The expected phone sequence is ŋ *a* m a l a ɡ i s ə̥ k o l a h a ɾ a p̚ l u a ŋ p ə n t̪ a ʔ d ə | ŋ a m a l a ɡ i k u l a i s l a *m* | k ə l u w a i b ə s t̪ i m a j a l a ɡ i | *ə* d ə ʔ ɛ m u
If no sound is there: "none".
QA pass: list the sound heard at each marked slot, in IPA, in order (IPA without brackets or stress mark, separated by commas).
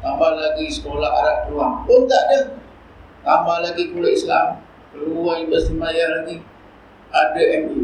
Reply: a, m, a